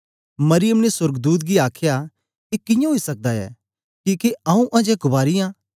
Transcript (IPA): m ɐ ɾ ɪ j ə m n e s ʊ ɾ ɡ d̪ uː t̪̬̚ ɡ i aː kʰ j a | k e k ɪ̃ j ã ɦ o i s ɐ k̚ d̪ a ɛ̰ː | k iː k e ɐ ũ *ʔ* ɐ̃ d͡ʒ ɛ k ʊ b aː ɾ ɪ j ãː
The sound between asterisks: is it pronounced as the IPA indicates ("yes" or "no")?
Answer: yes